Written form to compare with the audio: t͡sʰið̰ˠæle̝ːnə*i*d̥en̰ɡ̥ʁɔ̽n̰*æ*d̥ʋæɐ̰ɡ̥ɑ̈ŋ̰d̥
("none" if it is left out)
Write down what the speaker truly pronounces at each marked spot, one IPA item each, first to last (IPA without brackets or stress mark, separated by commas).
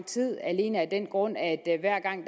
æ, æ